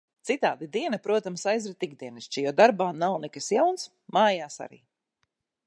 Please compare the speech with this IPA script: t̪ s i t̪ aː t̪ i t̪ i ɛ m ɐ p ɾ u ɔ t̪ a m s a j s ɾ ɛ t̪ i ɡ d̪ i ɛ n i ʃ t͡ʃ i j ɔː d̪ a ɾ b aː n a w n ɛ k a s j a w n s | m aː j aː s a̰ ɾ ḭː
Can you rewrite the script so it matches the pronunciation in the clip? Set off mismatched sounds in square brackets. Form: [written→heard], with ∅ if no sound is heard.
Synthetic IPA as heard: t̪ s i t̪ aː [t̪→d̪] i [t̪→d̪] i ɛ [m→n] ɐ p ɾ u ɔ t̪ a m s a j [s→z] ɾ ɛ t̪ i ɡ d̪ i ɛ n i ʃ t͡ʃ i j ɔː d̪ a ɾ b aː n a w n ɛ k a s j a w n s | m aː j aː s a̰ ɾ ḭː